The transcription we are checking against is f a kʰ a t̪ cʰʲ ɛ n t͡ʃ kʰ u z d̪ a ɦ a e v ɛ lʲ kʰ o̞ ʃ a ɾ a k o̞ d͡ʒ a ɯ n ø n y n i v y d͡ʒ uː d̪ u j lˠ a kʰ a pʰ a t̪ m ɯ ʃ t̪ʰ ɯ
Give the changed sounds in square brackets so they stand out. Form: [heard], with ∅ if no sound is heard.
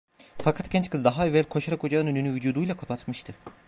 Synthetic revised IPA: f a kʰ a t̪ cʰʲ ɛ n t͡ʃ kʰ [ɯ] z d̪ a ɦ a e v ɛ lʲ kʰ o̞ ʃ a ɾ a k o̞ d͡ʒ a ɯ n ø n y n [y] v y d͡ʒ uː d̪ u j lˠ a kʰ a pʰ a t̪ m ɯ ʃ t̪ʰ ɯ